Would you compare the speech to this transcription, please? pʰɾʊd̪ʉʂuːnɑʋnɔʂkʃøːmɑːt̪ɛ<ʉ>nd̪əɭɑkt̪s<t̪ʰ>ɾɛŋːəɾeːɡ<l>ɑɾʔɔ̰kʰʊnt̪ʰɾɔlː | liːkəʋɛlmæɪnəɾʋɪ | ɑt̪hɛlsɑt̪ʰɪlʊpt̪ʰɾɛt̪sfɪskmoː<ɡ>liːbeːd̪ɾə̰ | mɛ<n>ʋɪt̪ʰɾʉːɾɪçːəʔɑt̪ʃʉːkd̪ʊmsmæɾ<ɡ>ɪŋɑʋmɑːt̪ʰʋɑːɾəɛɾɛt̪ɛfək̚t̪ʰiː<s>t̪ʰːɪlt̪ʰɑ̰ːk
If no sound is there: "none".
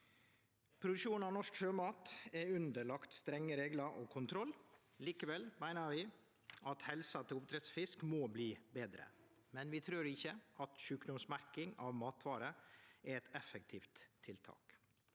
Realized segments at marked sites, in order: ʉ, t̪, l, b, n, k, f

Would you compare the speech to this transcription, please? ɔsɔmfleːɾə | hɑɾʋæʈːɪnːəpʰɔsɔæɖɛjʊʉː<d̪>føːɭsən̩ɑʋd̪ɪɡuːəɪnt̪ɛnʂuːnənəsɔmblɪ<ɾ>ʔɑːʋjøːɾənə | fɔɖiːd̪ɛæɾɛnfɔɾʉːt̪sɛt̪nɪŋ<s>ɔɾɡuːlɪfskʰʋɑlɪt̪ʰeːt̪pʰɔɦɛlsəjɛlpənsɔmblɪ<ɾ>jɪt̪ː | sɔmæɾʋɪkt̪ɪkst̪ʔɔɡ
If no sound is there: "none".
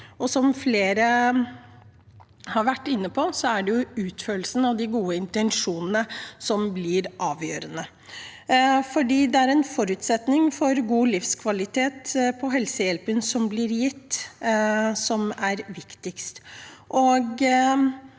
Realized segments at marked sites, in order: t̪, ɾ, f, ɾ

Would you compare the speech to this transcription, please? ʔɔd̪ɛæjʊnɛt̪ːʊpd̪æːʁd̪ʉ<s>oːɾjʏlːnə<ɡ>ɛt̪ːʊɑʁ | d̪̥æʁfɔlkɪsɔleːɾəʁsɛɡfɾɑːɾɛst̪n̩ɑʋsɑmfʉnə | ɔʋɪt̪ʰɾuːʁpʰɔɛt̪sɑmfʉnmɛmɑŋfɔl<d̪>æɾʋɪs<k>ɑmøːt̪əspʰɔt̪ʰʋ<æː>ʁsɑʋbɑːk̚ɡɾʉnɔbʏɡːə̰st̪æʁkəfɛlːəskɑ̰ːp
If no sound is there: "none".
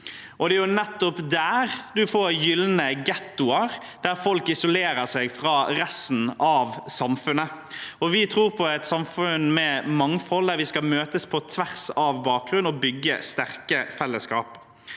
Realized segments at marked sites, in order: f, ɡ, d̪, k, æ

